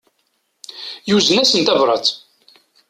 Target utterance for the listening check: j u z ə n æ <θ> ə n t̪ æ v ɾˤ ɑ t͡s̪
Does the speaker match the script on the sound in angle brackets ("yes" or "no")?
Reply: no